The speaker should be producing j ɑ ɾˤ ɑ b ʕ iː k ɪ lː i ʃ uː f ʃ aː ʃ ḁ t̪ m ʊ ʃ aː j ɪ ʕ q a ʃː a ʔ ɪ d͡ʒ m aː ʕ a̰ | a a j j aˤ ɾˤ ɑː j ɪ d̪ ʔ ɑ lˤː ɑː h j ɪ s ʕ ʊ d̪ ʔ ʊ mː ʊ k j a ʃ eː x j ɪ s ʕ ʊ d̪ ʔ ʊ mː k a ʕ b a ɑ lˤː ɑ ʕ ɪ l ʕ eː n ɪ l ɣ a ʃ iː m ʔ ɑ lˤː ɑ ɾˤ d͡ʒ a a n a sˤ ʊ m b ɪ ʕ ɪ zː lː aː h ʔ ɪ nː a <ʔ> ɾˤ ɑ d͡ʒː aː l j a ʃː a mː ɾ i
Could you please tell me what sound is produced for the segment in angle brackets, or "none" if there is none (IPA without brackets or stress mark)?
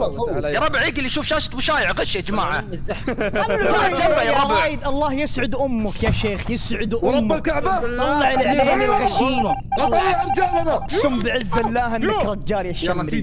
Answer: k